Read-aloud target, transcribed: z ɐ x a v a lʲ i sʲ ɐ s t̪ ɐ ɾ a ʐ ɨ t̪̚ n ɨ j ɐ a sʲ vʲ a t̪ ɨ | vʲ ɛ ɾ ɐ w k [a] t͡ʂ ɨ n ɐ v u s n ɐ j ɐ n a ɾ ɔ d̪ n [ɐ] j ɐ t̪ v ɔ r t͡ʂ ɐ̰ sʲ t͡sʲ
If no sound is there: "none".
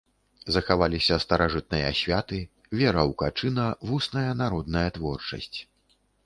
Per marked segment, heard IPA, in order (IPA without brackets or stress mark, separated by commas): a, ɐ